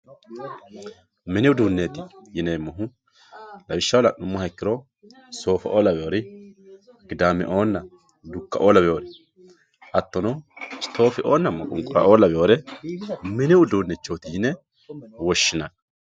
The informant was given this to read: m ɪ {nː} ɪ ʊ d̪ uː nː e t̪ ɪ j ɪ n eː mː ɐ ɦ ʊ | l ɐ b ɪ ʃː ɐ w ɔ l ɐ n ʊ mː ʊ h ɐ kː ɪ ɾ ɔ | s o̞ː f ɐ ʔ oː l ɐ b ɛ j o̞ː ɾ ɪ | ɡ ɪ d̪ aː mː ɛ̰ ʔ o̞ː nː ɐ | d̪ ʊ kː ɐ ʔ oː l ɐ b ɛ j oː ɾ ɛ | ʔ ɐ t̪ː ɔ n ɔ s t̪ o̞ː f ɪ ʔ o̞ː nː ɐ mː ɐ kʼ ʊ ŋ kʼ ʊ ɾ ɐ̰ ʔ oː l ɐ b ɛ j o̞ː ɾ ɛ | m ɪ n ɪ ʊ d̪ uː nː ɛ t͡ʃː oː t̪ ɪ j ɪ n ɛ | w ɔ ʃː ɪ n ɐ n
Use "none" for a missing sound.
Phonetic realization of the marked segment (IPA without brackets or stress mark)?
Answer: n